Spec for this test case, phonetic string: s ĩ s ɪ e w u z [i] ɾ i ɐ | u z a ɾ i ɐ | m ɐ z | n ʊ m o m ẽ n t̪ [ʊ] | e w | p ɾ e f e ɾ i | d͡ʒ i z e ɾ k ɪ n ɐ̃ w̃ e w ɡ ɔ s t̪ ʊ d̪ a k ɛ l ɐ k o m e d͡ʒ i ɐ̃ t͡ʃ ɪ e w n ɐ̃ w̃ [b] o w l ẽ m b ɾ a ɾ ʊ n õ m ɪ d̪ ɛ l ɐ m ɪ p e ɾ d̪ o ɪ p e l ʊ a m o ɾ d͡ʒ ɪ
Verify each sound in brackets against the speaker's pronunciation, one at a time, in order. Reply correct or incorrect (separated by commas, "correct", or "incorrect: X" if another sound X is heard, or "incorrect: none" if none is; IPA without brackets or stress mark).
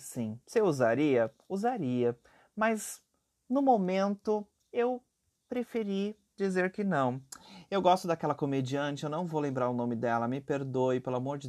incorrect: a, correct, incorrect: v